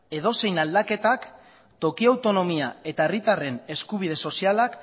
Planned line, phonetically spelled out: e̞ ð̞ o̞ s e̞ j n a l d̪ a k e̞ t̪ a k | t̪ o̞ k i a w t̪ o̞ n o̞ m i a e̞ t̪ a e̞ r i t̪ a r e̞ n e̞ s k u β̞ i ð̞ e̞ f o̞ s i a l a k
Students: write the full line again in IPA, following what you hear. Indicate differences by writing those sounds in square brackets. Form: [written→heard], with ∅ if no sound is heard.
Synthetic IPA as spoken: e̞ ð̞ o̞ s e̞ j n a l d̪ a k e̞ t̪ a k | t̪ o̞ k i a w t̪ o̞ n o̞ m i a e̞ t̪ a e̞ r i t̪ a r e̞ n e̞ s k u β̞ i ð̞ e̞ [f→s] o̞ s i a l a k